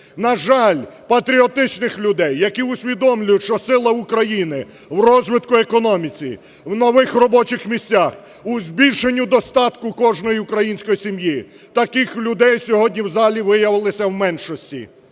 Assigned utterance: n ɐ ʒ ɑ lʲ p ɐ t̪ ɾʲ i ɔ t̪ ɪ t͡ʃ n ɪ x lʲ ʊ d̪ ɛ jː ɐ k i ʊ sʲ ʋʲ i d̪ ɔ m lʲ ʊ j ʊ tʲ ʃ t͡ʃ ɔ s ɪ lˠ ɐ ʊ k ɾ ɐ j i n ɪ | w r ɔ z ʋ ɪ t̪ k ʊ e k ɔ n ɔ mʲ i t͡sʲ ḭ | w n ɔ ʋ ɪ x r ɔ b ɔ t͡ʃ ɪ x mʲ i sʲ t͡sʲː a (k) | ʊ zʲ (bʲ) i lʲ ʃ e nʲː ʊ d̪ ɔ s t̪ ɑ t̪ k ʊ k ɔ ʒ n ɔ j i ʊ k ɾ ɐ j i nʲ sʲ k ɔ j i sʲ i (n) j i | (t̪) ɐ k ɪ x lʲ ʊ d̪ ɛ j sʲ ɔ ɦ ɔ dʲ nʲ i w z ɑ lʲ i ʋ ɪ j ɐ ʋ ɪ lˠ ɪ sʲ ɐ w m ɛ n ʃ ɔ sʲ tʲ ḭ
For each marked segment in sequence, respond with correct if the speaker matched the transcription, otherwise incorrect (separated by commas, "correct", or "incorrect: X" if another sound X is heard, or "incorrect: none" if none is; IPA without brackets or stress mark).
incorrect: x, correct, incorrect: m, correct